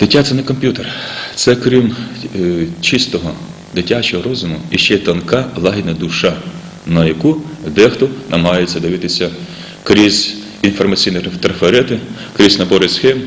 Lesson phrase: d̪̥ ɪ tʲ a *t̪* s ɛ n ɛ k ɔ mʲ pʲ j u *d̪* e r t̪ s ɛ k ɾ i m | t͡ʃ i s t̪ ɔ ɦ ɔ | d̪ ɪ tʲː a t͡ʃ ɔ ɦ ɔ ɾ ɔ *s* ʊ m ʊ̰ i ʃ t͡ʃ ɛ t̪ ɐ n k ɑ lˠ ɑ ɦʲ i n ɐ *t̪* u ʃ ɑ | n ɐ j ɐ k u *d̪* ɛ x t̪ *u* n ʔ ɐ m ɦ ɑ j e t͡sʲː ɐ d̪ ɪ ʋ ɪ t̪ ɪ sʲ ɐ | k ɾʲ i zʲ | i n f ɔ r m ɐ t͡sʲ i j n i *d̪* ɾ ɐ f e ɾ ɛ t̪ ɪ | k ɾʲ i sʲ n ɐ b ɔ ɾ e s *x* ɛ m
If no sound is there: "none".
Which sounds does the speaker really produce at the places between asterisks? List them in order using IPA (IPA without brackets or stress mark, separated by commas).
t̪, t̪, z, d̪, d̪, ɔ, t̪, x